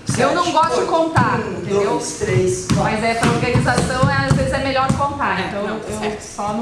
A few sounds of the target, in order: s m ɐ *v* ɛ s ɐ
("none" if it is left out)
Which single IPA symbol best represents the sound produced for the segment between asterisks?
z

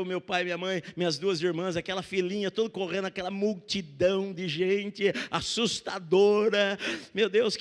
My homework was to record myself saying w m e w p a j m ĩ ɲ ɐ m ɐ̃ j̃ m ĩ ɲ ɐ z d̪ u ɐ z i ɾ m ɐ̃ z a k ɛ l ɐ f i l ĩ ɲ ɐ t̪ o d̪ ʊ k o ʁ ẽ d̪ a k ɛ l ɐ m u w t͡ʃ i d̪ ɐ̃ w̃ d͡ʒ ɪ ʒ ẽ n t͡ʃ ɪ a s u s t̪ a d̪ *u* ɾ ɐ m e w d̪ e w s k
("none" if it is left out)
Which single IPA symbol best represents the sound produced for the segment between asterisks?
o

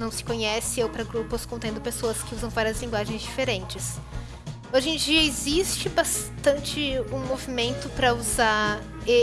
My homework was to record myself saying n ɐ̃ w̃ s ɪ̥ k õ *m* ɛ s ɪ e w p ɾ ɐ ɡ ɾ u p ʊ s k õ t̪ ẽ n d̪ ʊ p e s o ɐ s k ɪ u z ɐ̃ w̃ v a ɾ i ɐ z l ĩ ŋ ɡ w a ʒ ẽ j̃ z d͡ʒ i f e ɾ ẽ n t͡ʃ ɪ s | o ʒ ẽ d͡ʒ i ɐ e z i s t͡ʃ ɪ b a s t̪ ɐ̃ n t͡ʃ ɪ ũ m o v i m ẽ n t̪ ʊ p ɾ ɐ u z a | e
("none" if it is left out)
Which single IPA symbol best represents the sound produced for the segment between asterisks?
ɲ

